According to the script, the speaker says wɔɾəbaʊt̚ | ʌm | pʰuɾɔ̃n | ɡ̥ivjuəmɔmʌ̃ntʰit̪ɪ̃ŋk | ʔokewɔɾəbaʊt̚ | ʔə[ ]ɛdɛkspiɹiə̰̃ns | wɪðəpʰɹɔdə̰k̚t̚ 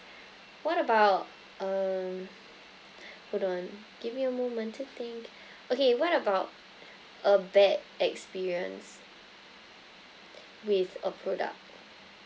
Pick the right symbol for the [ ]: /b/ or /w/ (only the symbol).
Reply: b